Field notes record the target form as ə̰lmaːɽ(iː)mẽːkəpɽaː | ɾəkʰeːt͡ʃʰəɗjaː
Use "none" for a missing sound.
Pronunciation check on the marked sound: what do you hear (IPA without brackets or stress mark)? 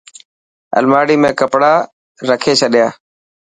iː